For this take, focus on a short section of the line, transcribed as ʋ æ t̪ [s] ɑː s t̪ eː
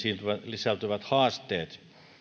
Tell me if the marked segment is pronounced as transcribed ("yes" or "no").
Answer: no